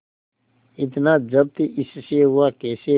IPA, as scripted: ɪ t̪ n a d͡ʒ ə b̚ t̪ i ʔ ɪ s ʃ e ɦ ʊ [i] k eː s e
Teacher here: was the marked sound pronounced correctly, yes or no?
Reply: no